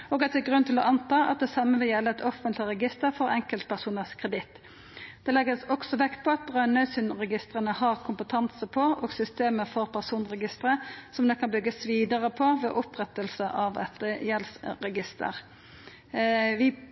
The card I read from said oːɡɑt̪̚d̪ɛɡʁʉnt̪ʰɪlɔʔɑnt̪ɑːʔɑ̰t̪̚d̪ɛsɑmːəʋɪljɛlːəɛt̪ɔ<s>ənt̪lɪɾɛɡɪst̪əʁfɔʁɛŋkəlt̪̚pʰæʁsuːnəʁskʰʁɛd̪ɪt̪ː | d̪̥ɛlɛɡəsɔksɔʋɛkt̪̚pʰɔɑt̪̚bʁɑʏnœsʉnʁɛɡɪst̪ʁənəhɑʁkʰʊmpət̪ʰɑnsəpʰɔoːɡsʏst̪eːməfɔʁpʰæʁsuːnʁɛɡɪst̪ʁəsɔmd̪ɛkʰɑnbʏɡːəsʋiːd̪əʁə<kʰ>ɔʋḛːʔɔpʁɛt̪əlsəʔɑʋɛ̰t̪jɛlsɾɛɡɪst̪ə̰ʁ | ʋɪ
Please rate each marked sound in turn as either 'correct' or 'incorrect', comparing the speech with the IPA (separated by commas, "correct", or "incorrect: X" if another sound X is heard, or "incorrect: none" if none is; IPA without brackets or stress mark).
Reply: incorrect: f, incorrect: pʰ